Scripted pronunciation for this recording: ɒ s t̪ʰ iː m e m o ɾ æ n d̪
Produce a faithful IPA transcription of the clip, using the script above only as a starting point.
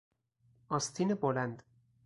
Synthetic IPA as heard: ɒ s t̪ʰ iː n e b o l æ n d̪